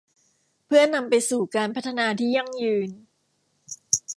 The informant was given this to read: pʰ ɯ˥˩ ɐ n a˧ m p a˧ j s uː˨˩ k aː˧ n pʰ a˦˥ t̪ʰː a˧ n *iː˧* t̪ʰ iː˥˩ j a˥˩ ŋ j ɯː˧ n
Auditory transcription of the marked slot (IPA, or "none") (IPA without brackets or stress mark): aː˧